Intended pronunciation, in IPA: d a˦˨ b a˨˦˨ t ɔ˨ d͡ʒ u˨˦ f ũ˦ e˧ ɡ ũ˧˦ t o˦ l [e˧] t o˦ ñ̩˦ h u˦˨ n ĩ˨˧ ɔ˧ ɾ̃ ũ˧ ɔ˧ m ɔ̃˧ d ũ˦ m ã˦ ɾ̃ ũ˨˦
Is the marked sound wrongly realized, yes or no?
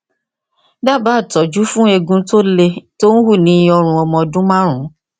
no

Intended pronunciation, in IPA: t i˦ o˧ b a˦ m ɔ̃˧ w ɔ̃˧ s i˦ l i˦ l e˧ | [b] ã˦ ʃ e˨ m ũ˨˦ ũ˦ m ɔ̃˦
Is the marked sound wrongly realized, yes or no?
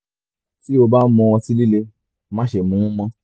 yes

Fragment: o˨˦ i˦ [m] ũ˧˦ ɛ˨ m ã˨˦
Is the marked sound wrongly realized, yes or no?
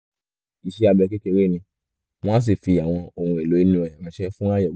yes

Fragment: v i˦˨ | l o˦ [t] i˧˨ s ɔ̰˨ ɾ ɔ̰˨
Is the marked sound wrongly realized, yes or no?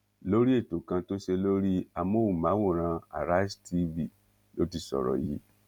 no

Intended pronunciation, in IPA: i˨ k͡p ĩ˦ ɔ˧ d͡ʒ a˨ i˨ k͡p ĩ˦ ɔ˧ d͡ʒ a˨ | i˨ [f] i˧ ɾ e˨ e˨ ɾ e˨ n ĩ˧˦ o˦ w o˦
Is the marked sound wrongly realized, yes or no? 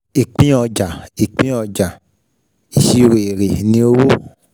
yes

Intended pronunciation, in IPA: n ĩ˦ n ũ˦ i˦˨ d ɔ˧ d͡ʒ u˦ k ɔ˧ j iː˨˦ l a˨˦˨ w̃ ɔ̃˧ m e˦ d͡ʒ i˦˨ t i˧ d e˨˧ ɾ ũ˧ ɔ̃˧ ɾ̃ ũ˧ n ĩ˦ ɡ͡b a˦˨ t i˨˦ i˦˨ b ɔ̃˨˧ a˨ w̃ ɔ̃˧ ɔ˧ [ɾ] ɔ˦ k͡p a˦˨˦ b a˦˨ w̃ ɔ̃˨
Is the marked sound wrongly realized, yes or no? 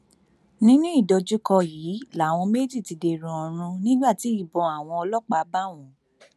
yes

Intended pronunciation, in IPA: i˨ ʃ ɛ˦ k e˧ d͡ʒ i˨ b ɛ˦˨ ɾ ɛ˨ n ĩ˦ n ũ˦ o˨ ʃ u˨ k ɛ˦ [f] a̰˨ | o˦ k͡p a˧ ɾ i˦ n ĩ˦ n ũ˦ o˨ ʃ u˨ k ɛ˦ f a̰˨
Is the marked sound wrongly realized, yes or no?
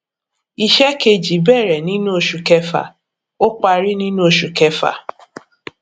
no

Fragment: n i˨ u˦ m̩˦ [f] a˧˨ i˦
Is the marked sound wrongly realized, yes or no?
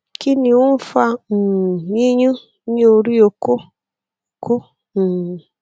no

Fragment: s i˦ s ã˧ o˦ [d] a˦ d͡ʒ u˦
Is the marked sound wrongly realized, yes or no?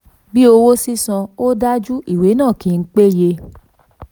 no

